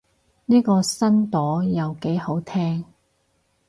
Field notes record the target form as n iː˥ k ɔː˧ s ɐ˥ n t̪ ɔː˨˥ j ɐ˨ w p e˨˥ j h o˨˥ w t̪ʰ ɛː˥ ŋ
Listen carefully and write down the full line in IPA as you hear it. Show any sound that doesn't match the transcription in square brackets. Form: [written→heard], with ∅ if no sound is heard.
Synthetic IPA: n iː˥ k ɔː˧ s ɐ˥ n t̪ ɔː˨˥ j ɐ˨ w [p→k] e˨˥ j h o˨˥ w t̪ʰ ɛː˥ ŋ